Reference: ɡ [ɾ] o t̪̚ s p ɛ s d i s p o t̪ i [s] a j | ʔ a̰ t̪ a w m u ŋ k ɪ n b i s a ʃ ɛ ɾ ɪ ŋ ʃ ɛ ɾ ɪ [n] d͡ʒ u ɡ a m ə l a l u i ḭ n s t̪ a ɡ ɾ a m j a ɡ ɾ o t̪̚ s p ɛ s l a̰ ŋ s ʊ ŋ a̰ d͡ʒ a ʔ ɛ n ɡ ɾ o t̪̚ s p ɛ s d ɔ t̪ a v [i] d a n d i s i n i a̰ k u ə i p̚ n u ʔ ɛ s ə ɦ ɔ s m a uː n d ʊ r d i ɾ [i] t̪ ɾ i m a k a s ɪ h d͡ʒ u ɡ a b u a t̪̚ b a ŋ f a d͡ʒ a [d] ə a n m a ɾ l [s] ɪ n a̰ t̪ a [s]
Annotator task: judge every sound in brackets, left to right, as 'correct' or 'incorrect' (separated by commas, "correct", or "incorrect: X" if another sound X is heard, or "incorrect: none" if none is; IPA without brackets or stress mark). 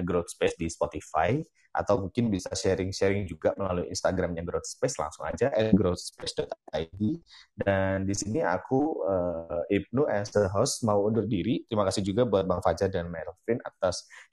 correct, incorrect: f, incorrect: ŋ, correct, correct, correct, incorrect: f, correct